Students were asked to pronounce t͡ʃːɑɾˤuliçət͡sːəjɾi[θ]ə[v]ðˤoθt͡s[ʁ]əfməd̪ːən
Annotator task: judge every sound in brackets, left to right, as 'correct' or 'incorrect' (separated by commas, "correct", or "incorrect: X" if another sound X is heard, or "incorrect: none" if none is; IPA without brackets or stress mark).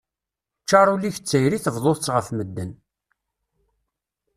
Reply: correct, correct, correct